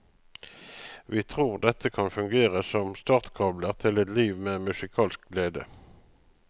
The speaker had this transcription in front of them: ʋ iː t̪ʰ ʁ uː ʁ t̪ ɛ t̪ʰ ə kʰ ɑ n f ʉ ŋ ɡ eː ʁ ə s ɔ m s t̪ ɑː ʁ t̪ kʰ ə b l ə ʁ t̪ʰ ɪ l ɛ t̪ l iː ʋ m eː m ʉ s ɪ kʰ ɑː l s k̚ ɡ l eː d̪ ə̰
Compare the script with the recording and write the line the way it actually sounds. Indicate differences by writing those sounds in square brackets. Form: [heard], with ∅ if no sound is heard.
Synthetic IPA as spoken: ʋ iː t̪ʰ ʁ uː ʁ [d̪] ɛ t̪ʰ ə kʰ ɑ n f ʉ ŋ ɡ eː ʁ ə s ɔ m s t̪ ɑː ʁ t̪ kʰ [ɑ] b l ə ʁ t̪ʰ ɪ l ɛ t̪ l iː ʋ m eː m ʉ s ɪ kʰ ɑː l s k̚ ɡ l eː d̪ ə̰